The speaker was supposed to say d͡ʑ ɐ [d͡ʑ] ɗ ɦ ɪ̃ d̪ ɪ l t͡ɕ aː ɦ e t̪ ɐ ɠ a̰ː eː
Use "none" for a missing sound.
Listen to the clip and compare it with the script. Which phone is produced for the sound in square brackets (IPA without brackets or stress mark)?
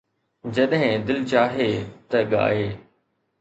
none